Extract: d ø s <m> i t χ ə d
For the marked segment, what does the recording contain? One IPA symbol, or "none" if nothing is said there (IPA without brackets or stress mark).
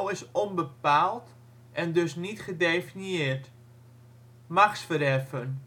n